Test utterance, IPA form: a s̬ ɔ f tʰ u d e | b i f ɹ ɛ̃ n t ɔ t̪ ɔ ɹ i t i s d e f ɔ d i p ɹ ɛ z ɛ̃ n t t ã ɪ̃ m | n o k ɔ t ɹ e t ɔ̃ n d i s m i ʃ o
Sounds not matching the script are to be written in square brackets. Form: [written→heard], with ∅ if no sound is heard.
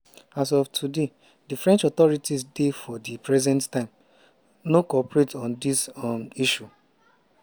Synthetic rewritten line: a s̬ ɔ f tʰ u d e | [b→d] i f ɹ ɛ̃ n [t→t͡ʃ] ɔ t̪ ɔ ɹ i t i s d e f ɔ d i p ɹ ɛ z ɛ̃ n t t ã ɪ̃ m | n o k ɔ [t→p] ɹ e t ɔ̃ n d i s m i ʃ [o→u]